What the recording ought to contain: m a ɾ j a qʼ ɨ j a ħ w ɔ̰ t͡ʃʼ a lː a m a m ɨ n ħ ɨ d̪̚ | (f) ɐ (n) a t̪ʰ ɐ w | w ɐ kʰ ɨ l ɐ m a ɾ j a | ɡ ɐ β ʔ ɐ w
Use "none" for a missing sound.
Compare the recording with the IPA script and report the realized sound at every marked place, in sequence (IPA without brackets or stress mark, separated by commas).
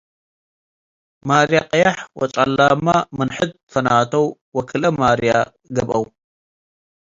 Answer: f, n